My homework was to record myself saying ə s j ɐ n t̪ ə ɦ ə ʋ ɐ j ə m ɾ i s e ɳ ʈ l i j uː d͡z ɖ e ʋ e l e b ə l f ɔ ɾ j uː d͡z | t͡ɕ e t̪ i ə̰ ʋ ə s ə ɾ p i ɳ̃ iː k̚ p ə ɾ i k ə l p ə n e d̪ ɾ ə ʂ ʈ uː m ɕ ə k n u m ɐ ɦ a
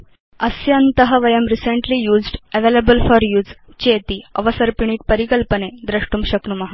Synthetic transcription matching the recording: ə s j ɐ n t̪ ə ɦ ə ʋ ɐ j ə m ɾ i s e ɳ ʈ l i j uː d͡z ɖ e ʋ e l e b ə l f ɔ ɾ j uː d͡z | t͡ɕ e t̪ i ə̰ ʋ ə s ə ɾ p i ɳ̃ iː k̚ p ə ɾ i k ə l p ə n e d̪ ɾ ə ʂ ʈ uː m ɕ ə k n u m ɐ ɦ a

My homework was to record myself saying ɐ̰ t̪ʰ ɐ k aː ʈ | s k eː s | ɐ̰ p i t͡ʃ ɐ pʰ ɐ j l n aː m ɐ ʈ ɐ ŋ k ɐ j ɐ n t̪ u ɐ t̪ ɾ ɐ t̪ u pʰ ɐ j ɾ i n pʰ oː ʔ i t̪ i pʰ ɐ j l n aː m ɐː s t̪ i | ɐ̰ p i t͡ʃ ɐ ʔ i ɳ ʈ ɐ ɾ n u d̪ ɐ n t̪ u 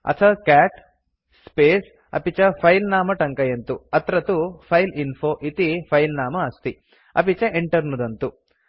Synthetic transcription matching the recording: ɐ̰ t̪ʰ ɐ k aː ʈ | s p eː s | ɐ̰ p i t͡ʃ ɐ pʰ ɐ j l n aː m ɐ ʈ ɐ ŋ k ɐ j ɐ n t̪ u ɐ t̪ ɾ ɐ t̪ u pʰ ɐ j l i n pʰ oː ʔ i t̪ i pʰ ɐ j l n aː m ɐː s t̪ i | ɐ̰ p i t͡ʃ ɐ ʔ e ɳ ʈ ɐ ɾ n u d̪ ɐ n t̪ u

